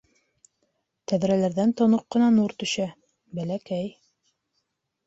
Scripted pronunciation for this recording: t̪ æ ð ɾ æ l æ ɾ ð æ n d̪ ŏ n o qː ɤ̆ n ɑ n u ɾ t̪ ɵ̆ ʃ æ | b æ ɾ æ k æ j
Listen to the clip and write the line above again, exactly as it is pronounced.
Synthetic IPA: t̪ æ ð ɾ æ l æ ɾ ð æ n t̪ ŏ n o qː ɤ̆ n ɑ n u ɾ t̪ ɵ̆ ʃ æ | b æ l æ k æ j